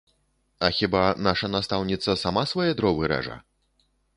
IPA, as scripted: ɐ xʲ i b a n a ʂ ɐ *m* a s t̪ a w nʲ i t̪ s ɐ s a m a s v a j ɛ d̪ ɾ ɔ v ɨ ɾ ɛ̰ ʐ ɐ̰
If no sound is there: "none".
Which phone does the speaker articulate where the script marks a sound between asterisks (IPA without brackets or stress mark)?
n